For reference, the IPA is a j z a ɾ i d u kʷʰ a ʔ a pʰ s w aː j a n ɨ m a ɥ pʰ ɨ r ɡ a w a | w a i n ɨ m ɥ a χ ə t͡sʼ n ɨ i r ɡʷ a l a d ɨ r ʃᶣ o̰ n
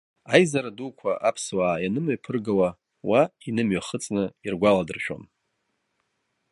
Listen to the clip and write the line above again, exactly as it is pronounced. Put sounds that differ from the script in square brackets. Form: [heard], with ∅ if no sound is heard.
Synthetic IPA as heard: a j z a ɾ [a] d u kʷʰ a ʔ a pʰ s w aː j a n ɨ m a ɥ pʰ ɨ r ɡ a w a | w a i n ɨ m ɥ a χ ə t͡sʼ n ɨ i r ɡʷ a l a d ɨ r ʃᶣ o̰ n